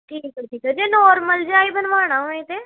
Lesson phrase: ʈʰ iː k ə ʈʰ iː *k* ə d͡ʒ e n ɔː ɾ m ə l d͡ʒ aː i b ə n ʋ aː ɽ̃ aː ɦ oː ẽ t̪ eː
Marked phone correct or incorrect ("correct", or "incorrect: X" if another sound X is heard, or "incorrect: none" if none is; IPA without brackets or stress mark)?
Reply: correct